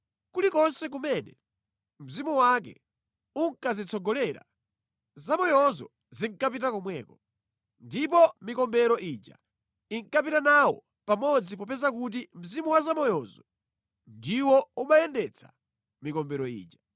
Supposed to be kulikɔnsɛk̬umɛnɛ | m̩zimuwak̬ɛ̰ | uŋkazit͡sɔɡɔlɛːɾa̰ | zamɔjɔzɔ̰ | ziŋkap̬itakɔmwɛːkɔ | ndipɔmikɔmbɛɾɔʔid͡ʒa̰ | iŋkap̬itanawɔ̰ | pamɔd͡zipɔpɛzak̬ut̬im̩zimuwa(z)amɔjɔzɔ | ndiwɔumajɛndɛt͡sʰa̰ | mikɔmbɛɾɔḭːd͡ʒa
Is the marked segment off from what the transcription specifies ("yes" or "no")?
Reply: no